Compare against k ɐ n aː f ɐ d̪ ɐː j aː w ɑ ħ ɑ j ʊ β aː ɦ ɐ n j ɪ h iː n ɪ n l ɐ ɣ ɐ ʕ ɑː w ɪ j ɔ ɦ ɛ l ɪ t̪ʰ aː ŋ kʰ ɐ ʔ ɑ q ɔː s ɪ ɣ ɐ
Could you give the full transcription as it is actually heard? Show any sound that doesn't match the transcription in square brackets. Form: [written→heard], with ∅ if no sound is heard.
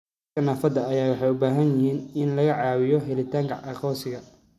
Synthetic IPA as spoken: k ɐ n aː f ɐ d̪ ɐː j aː w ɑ ħ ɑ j ʊ [β→b] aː ɦ ɐ n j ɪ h iː n ɪ n l ɐ ɣ ɐ ʕ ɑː w ɪ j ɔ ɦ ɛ l ɪ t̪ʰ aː ŋ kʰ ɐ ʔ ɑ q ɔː s ɪ ɣ ɐ